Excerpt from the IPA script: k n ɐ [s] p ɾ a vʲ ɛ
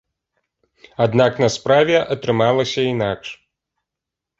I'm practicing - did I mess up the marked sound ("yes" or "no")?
no